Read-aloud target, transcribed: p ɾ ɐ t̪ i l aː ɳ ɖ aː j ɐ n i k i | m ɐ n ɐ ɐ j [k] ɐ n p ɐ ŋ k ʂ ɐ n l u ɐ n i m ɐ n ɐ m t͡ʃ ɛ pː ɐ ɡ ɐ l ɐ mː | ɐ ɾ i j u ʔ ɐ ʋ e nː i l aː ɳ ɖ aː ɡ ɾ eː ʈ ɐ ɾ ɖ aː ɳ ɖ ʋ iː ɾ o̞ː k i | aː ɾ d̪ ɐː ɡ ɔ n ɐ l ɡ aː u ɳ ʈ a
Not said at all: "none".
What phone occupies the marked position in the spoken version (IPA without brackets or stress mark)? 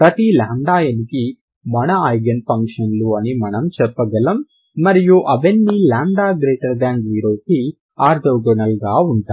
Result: ɡ